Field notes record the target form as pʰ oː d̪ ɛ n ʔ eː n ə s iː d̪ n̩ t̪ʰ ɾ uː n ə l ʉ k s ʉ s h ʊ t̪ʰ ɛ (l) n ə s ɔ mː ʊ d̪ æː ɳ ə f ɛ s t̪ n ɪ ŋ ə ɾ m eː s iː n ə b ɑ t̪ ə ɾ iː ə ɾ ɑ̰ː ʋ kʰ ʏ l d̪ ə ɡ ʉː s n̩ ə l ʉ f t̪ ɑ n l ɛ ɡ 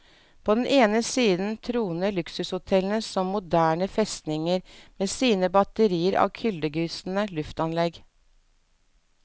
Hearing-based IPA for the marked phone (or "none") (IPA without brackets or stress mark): l